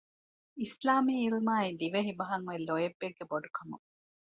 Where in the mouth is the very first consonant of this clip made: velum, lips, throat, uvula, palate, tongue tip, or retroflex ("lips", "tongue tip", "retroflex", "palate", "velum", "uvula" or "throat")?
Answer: tongue tip